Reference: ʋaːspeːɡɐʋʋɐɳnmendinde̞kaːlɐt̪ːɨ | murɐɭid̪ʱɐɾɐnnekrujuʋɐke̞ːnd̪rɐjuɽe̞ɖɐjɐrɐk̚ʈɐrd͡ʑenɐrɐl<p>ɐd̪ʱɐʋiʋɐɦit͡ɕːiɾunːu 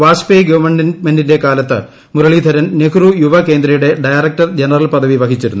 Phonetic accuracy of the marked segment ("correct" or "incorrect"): correct